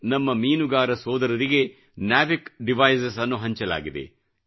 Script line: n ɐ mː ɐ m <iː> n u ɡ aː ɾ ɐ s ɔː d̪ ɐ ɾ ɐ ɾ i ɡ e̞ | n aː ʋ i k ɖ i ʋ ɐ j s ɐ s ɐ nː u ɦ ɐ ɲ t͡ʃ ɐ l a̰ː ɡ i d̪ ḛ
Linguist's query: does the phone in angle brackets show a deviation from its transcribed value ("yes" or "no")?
no